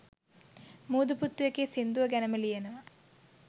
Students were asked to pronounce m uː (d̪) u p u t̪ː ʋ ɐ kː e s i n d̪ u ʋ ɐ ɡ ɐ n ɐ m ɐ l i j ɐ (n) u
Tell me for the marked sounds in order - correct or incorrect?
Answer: correct, correct

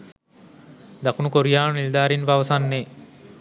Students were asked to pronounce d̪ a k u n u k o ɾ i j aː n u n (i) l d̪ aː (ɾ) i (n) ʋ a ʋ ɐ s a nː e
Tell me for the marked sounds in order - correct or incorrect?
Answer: correct, correct, correct

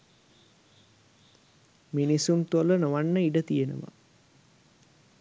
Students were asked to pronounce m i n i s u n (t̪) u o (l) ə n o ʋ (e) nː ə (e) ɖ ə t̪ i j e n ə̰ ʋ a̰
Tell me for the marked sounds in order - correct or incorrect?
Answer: correct, correct, incorrect, incorrect

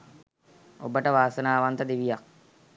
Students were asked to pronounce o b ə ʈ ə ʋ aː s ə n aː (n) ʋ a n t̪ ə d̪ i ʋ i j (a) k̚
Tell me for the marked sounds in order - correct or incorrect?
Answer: incorrect, correct

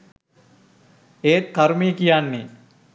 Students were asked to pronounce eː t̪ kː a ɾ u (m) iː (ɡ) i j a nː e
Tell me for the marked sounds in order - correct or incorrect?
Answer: correct, incorrect

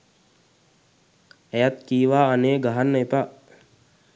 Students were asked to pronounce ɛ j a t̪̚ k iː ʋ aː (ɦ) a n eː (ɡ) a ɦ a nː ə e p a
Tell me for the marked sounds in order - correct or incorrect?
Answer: incorrect, correct

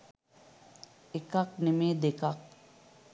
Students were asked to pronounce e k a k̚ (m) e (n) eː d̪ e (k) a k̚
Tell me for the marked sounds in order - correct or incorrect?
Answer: incorrect, incorrect, correct

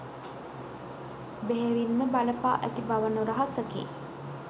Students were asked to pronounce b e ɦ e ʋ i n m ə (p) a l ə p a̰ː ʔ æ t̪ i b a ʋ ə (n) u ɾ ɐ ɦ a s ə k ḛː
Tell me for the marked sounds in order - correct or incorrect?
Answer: incorrect, correct

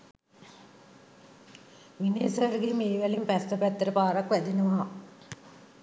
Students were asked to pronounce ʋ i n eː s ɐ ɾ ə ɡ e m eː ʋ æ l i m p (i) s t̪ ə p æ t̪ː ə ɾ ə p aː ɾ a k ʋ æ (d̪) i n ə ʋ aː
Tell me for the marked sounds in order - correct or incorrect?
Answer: incorrect, correct

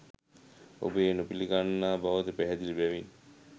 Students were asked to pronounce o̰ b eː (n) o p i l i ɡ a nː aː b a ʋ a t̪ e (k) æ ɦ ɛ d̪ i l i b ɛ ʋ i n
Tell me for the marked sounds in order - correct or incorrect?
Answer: correct, incorrect

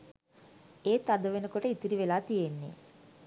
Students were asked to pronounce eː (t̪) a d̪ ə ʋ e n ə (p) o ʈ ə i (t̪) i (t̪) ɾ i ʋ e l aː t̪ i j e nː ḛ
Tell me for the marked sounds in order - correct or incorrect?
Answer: correct, incorrect, correct, incorrect

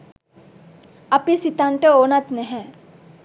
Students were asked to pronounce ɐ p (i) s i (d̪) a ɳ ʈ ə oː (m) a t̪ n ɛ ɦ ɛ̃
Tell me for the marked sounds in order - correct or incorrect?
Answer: correct, incorrect, incorrect

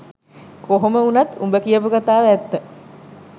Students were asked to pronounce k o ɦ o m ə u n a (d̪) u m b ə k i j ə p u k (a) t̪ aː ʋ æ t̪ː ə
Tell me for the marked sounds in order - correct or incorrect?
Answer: incorrect, correct

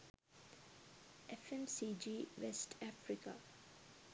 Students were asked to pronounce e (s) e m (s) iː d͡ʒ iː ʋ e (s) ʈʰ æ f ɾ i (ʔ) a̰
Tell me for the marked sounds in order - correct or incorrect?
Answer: incorrect, correct, correct, incorrect

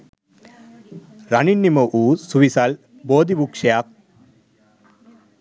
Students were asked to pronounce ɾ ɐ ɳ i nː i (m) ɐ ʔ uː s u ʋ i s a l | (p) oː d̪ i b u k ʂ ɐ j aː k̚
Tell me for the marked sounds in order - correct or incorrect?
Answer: correct, incorrect

